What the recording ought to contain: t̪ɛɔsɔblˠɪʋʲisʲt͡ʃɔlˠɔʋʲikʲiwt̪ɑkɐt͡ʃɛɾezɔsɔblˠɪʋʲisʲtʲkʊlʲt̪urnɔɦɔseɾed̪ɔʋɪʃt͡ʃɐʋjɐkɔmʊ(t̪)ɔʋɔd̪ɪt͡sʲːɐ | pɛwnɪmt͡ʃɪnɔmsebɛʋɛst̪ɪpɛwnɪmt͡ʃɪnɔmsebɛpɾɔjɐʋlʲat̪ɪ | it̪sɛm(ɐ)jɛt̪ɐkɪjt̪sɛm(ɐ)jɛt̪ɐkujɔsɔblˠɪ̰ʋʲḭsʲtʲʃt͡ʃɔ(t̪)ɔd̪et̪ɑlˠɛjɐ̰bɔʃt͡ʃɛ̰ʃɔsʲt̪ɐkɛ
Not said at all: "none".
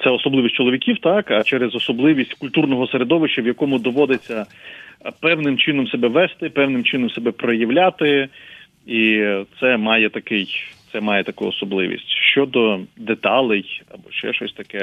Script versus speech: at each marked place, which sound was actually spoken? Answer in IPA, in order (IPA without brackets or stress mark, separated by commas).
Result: d̪, ɑ, ɑ, d̪